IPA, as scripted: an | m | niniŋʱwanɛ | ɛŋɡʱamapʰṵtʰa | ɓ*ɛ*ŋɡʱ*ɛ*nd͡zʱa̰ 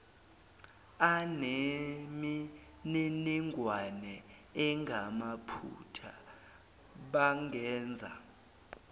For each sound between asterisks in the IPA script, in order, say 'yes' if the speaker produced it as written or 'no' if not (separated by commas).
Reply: no, no